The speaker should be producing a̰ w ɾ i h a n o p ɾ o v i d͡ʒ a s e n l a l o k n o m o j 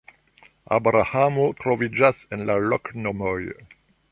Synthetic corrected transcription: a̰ b ɾ a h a m o t ɾ o v i d͡ʒ a s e n l a l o k n o m o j